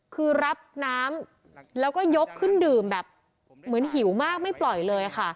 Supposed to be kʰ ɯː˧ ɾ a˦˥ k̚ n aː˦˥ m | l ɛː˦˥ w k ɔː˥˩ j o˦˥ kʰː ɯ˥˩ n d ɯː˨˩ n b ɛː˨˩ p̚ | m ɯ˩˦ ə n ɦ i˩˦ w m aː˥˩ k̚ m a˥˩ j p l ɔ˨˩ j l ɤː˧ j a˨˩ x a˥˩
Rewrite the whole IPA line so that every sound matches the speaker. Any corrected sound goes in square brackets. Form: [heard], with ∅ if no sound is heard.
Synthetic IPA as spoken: kʰ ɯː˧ ɾ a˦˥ [p̚] n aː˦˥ m | l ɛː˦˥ w k ɔː˥˩ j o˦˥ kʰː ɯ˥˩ n d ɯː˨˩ [m] b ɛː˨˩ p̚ | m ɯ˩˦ ə n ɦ i˩˦ w m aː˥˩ k̚ m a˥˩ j p l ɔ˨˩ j l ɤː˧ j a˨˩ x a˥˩

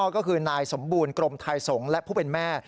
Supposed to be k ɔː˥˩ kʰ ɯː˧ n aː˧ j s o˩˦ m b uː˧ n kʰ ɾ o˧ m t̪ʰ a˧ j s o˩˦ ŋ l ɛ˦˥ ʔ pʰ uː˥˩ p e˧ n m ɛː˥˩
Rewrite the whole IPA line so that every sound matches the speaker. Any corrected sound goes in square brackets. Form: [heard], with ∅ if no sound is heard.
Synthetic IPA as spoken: k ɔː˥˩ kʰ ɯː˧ n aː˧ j s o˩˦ m b uː˧ n [k] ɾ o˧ m t̪ʰ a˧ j s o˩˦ ŋ l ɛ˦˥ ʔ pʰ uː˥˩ p e˧ n m ɛː˥˩

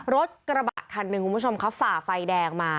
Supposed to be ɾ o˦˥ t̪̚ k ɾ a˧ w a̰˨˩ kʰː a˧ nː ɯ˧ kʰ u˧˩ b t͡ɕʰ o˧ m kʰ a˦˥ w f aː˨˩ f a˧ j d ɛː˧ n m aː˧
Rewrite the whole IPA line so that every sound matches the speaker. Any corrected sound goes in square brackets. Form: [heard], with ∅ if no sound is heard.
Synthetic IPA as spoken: ɾ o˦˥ t̪̚ k ɾ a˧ [b] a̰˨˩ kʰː a˧ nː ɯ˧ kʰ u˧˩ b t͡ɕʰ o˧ m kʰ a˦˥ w f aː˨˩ f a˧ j d ɛː˧ [ŋ] m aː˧

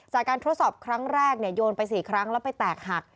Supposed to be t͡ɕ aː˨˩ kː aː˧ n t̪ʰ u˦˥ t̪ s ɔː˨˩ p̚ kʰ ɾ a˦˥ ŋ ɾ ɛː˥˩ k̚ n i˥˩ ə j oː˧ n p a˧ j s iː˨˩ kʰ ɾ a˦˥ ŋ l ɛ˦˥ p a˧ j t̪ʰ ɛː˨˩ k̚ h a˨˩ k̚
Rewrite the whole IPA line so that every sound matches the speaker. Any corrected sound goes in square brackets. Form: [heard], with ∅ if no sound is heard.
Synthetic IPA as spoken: t͡ɕ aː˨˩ kː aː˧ n t̪ʰ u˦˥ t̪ s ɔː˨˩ p̚ kʰ ɾ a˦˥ ŋ ɾ ɛː˥˩ k̚ n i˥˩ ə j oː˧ n p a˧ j s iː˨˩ kʰ ɾ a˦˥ ŋ l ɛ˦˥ p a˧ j [t̪] ɛː˨˩ k̚ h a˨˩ k̚

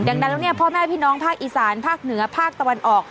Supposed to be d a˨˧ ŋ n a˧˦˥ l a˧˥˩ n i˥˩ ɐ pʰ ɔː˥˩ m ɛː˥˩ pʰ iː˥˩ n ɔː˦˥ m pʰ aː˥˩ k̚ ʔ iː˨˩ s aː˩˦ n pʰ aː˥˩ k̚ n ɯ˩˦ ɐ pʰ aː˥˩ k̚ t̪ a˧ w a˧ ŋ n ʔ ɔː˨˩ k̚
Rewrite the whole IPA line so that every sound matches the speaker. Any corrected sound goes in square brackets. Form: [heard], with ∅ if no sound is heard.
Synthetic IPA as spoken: d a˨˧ ŋ n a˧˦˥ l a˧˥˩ n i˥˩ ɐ pʰ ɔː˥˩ m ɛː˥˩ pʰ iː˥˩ n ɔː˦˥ [ŋ] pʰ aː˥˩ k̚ ʔ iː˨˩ s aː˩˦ n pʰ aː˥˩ k̚ n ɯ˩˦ ɐ pʰ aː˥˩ k̚ t̪ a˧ w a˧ [∅] n ʔ ɔː˨˩ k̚

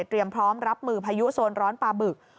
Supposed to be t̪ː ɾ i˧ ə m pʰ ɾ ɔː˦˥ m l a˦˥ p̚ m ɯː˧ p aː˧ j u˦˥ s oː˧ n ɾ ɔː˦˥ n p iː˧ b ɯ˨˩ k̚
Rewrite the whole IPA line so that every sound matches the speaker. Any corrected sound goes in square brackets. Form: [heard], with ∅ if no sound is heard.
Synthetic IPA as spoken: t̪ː ɾ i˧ ə m pʰ ɾ ɔː˦˥ m [ɾ] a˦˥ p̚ m ɯː˧ [pʰ] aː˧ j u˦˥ s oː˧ n ɾ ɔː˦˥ n p [aː˧] b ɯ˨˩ k̚

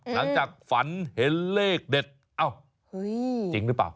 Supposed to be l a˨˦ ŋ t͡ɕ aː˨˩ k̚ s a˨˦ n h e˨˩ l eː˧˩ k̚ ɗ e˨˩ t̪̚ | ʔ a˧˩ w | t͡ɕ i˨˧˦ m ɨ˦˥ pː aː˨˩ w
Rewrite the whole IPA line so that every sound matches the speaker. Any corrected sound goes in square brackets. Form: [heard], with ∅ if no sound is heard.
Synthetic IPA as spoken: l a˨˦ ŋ t͡ɕ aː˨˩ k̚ [f] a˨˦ n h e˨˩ l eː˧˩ k̚ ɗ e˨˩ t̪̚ | ʔ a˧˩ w | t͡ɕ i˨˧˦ [ŋ] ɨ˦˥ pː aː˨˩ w

